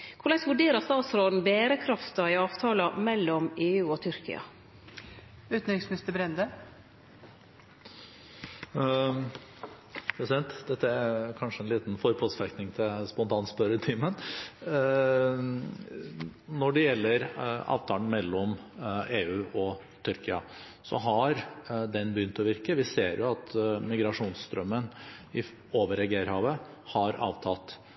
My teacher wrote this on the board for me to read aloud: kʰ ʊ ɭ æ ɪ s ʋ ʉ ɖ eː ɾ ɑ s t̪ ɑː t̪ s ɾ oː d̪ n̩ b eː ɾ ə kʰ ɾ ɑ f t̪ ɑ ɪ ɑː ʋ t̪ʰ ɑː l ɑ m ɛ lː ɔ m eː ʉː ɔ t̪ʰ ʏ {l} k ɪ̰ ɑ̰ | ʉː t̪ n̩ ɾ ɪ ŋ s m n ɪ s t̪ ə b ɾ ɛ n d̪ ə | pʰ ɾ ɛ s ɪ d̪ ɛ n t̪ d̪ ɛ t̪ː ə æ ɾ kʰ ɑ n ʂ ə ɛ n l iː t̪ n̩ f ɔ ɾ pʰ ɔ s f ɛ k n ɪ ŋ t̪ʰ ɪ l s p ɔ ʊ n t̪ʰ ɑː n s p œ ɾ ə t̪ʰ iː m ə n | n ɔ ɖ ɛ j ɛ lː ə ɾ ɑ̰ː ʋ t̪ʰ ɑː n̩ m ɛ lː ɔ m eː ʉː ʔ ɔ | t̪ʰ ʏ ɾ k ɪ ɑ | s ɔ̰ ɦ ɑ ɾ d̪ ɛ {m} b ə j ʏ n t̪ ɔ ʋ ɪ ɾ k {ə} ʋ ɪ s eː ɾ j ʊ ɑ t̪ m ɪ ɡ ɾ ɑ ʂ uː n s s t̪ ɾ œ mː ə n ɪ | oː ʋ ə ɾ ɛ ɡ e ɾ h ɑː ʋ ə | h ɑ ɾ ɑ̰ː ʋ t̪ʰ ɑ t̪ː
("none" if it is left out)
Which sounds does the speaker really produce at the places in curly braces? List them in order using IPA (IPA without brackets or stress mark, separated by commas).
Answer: ɾ, n, ə